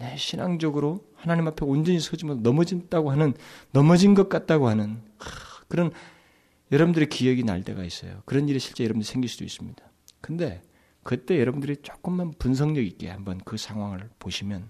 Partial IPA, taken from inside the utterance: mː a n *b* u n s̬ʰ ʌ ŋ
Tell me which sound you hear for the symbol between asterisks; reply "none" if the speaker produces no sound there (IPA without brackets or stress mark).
p